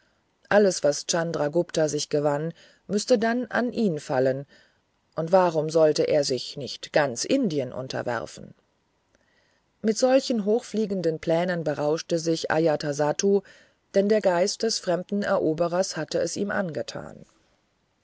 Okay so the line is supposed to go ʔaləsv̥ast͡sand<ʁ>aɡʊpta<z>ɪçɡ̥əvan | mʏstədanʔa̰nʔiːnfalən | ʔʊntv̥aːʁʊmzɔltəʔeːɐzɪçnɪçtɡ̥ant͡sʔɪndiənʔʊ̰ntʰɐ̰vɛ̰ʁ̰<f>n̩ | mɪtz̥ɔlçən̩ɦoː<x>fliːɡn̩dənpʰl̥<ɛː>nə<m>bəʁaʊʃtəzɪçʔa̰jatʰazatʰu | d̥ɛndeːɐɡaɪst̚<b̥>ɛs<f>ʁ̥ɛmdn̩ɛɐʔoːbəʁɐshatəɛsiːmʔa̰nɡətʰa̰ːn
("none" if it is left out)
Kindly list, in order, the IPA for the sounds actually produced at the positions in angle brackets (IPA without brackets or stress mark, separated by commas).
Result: ʁ, z, f, x, ɛː, n, d̥, f